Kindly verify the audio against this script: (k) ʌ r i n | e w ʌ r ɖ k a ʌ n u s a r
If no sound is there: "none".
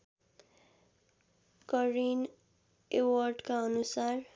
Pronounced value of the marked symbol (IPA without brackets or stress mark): k